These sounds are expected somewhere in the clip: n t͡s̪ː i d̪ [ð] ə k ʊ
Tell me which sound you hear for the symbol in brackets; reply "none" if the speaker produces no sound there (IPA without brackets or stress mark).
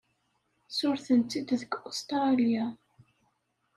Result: ð